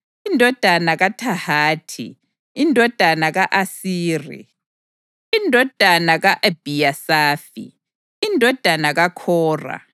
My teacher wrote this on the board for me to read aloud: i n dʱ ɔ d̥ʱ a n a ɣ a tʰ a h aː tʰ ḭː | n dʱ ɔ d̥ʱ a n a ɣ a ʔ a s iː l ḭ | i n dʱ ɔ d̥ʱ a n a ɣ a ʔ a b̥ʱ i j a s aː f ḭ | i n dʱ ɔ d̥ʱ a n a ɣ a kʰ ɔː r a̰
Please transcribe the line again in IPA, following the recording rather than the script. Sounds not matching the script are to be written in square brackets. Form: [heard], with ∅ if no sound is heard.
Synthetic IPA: i n dʱ ɔ d̥ʱ a n a ɣ a tʰ a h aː tʰ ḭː | n dʱ ɔ d̥ʱ a n a ɣ a ʔ a s iː [r] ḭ | i n dʱ ɔ d̥ʱ a n a ɣ a ʔ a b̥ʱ i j a s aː f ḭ | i n dʱ ɔ d̥ʱ a n a ɣ a kʰ ɔː r a̰